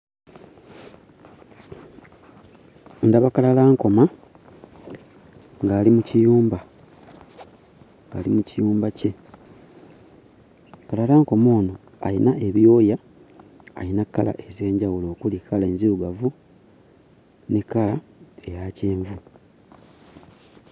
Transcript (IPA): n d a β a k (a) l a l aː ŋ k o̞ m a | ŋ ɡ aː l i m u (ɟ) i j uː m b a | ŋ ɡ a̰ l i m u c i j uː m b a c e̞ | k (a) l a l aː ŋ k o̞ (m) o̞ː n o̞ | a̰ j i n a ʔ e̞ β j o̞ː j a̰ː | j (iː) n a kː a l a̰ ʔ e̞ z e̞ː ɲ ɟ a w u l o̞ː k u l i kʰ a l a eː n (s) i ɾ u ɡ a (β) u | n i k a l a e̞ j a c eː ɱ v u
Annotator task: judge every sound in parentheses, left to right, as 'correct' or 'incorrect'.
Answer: correct, incorrect, correct, correct, incorrect, incorrect, incorrect

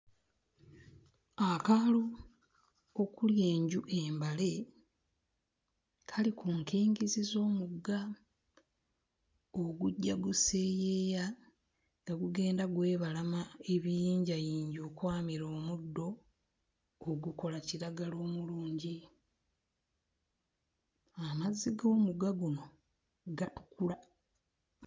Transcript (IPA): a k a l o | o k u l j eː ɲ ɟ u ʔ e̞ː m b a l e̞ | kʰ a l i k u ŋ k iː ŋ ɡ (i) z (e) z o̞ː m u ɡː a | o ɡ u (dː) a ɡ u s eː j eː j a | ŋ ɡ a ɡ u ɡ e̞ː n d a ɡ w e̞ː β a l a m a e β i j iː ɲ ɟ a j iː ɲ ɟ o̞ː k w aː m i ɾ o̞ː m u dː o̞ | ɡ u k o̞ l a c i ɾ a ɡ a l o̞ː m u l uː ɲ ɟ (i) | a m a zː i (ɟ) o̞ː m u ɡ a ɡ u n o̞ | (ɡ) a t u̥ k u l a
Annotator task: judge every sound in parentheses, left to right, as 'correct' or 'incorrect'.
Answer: correct, incorrect, incorrect, correct, incorrect, correct

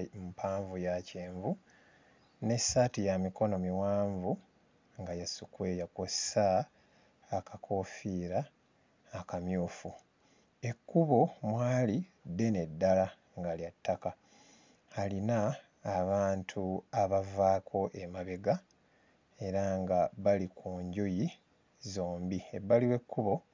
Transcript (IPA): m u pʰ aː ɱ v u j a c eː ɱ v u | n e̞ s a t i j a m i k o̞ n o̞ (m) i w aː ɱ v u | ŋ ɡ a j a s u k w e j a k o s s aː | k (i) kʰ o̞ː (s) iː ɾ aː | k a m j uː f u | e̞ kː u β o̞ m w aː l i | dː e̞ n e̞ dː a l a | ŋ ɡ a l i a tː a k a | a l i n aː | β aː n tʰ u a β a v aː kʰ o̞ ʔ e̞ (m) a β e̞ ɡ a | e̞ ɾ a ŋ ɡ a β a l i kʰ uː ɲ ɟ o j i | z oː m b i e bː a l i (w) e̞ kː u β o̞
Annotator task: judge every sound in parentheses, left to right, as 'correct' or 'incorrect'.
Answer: correct, incorrect, incorrect, correct, correct

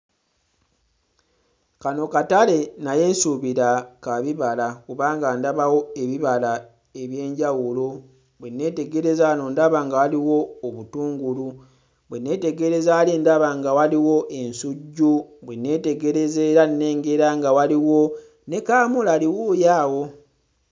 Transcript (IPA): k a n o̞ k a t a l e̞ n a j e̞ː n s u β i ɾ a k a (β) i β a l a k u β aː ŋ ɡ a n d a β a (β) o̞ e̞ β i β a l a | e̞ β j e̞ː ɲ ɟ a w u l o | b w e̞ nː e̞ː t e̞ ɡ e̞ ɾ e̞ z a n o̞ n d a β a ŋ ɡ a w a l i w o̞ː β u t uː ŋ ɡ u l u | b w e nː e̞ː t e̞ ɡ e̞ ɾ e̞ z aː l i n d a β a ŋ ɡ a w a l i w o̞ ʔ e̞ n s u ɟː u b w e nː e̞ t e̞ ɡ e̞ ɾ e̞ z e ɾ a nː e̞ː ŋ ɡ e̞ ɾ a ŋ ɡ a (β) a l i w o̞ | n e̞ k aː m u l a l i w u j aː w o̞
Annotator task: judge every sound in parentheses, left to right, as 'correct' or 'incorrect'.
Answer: correct, incorrect, incorrect

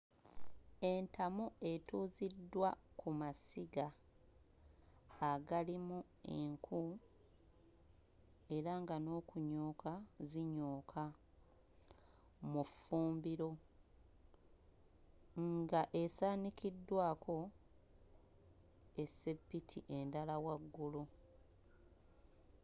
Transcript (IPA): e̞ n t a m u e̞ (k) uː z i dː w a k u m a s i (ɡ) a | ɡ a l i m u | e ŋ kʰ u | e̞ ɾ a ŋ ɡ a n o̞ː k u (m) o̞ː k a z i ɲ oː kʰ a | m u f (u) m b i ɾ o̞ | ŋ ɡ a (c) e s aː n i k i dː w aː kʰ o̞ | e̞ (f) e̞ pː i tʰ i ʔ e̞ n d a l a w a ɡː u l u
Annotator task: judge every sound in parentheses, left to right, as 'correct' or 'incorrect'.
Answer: incorrect, correct, incorrect, incorrect, incorrect, incorrect

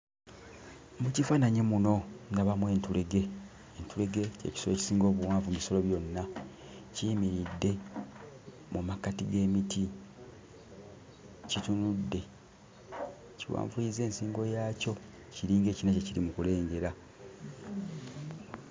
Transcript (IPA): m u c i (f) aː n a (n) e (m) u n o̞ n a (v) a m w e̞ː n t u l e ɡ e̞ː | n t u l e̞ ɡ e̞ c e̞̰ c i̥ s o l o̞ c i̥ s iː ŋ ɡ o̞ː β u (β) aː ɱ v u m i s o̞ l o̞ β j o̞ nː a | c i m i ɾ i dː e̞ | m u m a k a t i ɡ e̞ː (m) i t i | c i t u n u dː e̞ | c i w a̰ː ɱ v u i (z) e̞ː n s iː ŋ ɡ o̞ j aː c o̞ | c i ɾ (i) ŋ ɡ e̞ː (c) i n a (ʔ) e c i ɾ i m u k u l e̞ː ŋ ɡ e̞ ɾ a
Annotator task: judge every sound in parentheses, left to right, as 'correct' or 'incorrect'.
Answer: correct, incorrect, correct, incorrect, incorrect, correct, correct, incorrect, correct, incorrect

